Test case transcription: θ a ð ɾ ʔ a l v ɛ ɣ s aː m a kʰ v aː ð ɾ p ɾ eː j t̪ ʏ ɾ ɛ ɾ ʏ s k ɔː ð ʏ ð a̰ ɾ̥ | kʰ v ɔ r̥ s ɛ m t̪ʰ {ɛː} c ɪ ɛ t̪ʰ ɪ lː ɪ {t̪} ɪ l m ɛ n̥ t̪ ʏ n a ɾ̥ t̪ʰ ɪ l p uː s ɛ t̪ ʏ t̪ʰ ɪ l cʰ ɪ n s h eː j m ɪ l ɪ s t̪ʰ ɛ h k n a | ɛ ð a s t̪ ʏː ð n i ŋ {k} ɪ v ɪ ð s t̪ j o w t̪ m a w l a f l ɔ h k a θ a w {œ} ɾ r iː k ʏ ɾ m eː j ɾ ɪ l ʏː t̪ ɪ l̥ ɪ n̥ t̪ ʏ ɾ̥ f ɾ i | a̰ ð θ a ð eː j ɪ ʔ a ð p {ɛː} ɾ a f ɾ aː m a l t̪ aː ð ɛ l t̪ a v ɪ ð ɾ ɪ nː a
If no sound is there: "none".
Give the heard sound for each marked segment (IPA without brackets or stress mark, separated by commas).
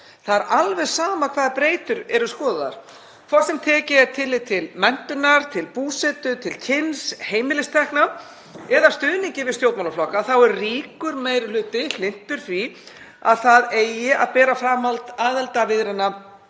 ɛː, t̪ʰ, c, ɛ, ɛː